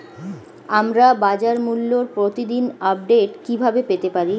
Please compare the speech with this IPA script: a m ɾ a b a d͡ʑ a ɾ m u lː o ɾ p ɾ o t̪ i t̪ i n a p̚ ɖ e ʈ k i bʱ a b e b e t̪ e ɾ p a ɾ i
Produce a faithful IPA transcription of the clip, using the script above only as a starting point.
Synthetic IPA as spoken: a m ɾ a b a d͡ʑ a ɾ m u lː o ɾ p ɾ o t̪ i d̪ i n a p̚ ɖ e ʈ k i bʱ a b e p e t̪ e p a ɾ i